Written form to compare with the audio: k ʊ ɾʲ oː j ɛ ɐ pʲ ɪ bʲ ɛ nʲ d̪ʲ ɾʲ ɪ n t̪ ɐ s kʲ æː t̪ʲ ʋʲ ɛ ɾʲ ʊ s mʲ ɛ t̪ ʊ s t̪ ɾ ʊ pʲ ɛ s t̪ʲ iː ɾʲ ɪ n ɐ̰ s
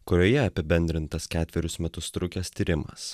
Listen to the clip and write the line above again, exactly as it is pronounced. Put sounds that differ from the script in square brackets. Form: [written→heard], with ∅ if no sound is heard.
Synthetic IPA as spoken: k ʊ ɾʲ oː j ɛ ɐ pʲ ɪ bʲ ɛ nʲ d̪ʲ ɾʲ ɪ n t̪ ɐ s kʲ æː t̪ʲ ʋʲ ɛ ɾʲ ʊ s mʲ ɛ t̪ ʊ s t̪ ɾ ʊ [pʲ→kʲ] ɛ s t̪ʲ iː ɾʲ ɪ [n→m] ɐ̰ s